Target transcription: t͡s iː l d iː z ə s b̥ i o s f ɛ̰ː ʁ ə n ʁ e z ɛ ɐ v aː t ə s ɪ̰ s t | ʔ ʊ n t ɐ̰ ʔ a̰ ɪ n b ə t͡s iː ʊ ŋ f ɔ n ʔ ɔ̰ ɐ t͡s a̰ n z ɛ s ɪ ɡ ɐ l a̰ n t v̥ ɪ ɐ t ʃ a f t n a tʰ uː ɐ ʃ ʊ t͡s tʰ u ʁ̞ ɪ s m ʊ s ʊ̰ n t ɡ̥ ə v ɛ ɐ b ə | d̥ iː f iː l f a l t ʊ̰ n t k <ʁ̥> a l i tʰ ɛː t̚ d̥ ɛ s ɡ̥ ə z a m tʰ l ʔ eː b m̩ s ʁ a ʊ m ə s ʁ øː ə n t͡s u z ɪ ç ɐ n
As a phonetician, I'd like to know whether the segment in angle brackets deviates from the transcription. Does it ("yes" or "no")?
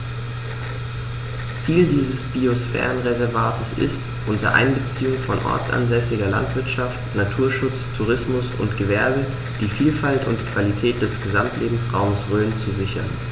yes